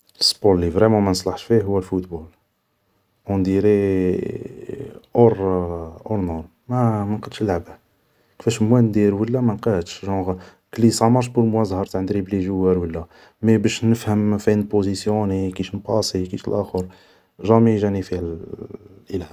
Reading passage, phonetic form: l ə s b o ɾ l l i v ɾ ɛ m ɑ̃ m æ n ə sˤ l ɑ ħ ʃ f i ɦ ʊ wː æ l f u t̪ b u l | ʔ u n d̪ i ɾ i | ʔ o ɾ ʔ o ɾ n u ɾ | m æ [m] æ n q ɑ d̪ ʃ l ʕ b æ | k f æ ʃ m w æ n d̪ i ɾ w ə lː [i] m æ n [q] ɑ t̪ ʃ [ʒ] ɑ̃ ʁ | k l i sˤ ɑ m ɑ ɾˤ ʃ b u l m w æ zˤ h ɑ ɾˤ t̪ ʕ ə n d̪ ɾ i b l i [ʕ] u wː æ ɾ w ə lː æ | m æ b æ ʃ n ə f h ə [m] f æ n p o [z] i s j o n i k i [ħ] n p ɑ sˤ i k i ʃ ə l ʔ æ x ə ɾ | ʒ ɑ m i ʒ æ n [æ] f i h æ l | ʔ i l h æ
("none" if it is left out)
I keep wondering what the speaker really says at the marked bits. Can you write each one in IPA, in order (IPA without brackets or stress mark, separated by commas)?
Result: m, æ, q, ʒ, ʒ, m, z, ʃ, i